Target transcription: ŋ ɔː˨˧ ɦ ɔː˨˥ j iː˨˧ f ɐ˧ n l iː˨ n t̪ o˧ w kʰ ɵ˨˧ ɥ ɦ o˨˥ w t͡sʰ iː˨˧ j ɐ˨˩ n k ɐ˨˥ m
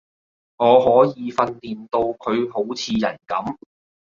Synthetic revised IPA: ŋ ɔː˨˧ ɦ ɔː˨˥ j iː˨˧ f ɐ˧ n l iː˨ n t̪ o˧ w kʰ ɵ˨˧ ɥ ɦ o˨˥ w t͡sʰ iː˨˧ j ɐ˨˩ n k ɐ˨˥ m